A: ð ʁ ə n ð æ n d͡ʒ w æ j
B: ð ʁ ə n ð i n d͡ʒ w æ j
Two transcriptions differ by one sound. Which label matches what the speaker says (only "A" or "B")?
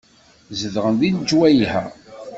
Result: B